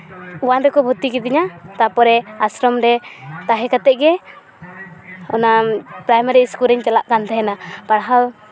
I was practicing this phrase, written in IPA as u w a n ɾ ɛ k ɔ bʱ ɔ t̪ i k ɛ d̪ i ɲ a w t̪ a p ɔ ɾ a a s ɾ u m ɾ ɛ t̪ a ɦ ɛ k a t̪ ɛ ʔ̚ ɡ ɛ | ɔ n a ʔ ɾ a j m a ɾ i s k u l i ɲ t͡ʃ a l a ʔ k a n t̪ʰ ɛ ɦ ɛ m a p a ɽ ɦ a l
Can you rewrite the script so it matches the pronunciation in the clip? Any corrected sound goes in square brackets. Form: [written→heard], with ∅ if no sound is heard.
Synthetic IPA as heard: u w a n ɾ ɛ k ɔ bʱ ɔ t̪ i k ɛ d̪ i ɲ a [w→∅] t̪ a p ɔ ɾ [a→ɛ] a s ɾ [u→ɔ] m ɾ ɛ t̪ a ɦ ɛ k a t̪ ɛ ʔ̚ ɡ ɛ | ɔ n a [ʔ→p] ɾ a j m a ɾ i s k u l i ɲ t͡ʃ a l a ʔ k a n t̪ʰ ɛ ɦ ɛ [m→n] a p a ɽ ɦ a l